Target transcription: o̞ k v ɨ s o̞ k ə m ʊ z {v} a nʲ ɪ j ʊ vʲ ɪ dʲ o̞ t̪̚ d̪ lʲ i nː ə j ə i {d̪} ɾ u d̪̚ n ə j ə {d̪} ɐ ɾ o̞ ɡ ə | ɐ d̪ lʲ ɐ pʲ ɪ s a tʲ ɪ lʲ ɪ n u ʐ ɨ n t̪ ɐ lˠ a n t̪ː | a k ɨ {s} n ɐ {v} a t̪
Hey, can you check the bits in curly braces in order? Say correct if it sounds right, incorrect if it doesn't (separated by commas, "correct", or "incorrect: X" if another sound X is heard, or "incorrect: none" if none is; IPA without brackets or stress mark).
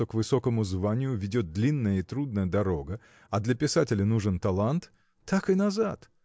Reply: correct, incorrect: t̪, correct, incorrect: none, incorrect: z